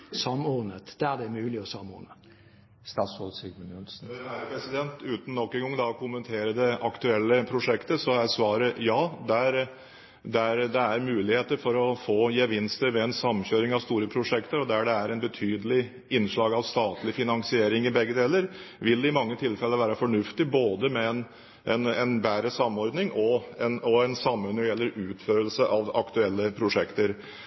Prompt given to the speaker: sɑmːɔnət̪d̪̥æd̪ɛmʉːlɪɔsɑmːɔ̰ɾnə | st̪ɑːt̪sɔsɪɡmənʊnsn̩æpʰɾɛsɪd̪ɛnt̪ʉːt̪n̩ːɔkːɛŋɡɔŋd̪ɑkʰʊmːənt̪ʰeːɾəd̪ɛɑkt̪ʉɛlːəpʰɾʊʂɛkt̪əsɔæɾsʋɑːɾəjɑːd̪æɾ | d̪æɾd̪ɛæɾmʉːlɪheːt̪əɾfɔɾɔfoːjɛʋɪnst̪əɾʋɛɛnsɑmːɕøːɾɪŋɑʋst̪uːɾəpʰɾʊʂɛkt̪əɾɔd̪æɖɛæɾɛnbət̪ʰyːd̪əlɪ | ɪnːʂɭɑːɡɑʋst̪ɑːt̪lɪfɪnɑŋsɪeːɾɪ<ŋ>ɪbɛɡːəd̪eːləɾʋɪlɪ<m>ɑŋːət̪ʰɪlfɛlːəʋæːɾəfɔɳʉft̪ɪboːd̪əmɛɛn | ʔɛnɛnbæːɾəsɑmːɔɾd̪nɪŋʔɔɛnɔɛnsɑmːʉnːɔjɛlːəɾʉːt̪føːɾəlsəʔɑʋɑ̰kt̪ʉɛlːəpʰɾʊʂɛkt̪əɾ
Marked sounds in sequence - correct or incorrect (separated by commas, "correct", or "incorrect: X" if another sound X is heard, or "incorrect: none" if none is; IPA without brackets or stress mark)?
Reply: correct, correct